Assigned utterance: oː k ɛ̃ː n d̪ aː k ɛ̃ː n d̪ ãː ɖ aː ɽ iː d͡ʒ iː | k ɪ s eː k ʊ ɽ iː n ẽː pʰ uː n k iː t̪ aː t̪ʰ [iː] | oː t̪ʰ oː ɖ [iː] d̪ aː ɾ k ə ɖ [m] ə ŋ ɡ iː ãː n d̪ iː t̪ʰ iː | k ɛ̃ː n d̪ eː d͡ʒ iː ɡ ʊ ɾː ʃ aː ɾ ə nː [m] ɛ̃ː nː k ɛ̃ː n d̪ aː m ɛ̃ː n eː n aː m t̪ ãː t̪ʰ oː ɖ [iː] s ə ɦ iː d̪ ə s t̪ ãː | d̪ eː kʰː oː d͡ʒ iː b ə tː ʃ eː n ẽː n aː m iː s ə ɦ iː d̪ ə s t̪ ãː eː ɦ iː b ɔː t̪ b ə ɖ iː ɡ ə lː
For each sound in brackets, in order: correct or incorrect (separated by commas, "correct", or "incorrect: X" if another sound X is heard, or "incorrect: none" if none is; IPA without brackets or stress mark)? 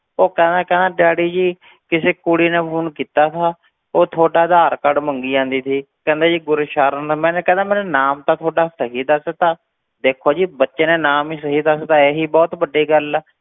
incorrect: aː, incorrect: aː, correct, correct, incorrect: aː